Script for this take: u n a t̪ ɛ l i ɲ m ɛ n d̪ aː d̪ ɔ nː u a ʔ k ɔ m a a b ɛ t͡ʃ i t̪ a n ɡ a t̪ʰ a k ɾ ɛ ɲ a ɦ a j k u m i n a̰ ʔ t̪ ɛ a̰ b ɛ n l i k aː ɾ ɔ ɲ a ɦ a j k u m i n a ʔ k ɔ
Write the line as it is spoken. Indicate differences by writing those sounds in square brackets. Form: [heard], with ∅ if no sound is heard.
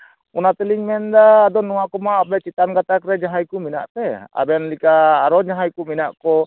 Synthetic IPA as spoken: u n a t̪ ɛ l i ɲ m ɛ n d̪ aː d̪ ɔ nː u a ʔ k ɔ m a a b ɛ t͡ʃ i t̪ a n ɡ a [t̪] a k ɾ ɛ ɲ a ɦ a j k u m i n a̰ ʔ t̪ ɛ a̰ b ɛ n l i k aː ɾ ɔ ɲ a ɦ a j k u m i n a ʔ k ɔ